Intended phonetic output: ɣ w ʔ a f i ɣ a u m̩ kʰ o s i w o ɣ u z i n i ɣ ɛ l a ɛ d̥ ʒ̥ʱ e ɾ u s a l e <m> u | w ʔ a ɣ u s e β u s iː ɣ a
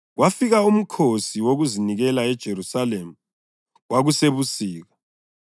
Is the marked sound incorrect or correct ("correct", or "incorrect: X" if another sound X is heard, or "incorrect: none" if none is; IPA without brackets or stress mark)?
correct